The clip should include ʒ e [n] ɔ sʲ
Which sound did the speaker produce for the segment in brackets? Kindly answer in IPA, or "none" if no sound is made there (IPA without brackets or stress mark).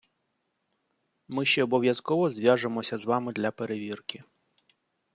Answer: m